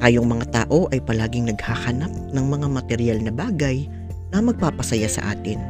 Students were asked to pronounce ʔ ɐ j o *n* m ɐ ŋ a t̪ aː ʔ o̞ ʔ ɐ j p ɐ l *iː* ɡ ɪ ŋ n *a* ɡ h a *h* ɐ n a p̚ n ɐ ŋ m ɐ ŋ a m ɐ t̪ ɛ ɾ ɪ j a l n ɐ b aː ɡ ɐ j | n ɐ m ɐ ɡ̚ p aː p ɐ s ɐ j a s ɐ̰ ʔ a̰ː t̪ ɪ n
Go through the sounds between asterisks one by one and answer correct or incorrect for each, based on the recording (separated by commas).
incorrect, incorrect, incorrect, correct